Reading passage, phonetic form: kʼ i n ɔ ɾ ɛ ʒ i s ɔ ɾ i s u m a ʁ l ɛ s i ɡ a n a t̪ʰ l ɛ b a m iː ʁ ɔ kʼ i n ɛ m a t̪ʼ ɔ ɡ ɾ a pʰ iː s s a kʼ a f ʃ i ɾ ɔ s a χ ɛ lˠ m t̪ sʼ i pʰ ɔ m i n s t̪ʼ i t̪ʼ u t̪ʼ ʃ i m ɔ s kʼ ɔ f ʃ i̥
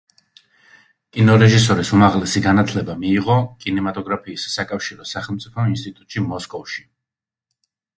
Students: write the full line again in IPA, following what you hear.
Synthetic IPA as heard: kʼ i n ɔ ɾ ɛ ʒ i s ɔ ɾ i s u m a ʁ l ɛ s i ɡ a n a t̪ʰ l ɛ b a m iː ʁ ɔ kʼ i n ɛ m a t̪ʼ ɔ ɡ ɾ a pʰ iː s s a kʼ a f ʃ i ɾ ɔ s a χ ɛ lˠ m t̪ sʼ i pʰ ɔ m i n s t̪ʼ i t̪ʼ u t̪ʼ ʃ i m ɔ s kʼ ɔ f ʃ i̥